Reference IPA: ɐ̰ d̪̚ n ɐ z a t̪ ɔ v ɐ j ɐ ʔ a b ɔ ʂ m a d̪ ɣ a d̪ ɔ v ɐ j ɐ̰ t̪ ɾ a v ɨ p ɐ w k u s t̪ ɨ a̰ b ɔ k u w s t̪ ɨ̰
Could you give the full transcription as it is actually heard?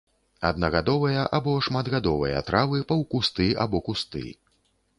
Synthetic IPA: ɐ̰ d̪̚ n ɐ ɣ a d̪ ɔ v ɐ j ɐ ʔ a b ɔ ʂ m a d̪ ɣ a d̪ ɔ v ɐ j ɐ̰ t̪ ɾ a v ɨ p ɐ w k u s t̪ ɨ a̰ b ɔ k u s t̪ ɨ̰